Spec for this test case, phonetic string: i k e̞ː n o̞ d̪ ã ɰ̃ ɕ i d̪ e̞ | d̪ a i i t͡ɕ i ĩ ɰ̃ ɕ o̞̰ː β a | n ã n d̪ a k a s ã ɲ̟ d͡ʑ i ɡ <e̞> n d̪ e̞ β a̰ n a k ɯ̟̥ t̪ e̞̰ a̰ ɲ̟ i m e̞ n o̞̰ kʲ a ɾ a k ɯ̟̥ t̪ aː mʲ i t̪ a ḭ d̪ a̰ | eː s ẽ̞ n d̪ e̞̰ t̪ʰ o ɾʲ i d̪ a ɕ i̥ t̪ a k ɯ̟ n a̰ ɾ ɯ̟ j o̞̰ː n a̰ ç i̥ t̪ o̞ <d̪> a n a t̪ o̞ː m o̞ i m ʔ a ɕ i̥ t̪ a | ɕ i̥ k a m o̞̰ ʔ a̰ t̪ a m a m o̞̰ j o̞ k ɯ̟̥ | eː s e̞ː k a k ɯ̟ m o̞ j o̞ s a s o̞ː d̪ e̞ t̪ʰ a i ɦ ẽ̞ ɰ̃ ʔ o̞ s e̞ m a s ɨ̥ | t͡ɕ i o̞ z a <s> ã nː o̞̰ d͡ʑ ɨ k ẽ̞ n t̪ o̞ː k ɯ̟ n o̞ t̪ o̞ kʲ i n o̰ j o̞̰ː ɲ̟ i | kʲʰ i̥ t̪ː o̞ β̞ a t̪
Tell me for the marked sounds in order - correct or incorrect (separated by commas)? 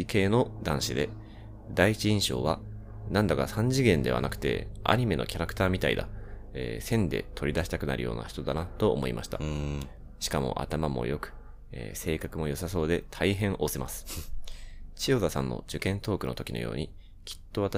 incorrect, correct, correct